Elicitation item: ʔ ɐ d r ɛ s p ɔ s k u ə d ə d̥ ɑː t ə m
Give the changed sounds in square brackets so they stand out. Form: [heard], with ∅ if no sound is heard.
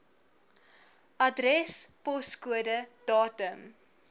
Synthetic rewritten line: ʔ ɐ d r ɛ s p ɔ s k u ə d ə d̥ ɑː t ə m